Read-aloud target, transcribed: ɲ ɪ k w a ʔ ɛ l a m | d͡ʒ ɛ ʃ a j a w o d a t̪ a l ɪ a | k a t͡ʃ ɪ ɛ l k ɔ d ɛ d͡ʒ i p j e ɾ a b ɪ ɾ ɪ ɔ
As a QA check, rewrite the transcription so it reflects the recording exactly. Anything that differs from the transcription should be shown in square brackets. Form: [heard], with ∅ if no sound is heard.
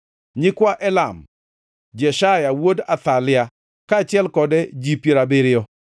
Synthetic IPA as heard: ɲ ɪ k w a ʔ ɛ l a m | d͡ʒ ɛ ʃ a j a w o d a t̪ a l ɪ a | k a t͡ʃ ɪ ɛ l k ɔ d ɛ d͡ʒ i p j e ɾ a b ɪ ɾ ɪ ɔ